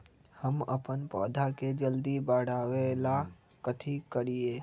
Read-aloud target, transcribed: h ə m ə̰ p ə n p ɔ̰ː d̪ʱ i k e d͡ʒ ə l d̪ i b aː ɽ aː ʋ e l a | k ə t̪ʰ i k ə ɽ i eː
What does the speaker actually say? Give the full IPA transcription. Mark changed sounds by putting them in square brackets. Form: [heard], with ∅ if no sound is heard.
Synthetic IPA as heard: h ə m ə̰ p ə n p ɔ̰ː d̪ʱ [a] k e d͡ʒ ə l d̪ i b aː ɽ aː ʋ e l a | k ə t̪ʰ i k ə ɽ i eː